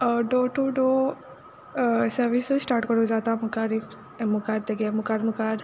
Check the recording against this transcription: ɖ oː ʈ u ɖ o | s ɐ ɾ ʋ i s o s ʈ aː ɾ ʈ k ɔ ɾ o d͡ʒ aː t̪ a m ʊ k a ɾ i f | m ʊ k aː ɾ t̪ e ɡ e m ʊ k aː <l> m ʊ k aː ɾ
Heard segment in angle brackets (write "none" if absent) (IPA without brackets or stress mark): ɾ